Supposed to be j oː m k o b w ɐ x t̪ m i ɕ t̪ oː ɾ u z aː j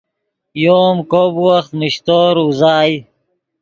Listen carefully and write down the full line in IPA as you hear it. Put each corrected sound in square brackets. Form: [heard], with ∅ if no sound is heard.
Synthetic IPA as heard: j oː m k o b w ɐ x t̪ m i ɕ t̪ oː ɾ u z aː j